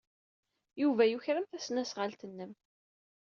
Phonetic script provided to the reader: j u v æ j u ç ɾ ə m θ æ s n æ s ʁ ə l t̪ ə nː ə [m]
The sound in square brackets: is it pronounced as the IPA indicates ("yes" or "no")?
yes